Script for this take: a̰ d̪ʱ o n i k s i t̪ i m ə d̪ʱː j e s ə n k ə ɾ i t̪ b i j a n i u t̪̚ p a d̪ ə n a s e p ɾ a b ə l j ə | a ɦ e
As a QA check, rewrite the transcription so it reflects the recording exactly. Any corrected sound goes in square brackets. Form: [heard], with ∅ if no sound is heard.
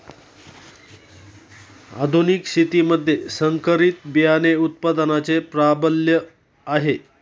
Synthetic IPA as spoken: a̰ d̪ʱ [u] n i k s i t̪ i m ə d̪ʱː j e s ə [ŋ] k ə ɾ i t̪ b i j a n [e] u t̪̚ p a d̪ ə n a [t͡s] e p ɾ a b ə l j ə | a ɦ e